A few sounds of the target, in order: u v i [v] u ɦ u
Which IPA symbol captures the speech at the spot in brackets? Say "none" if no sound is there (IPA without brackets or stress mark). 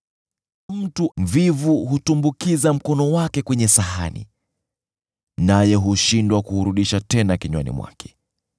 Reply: v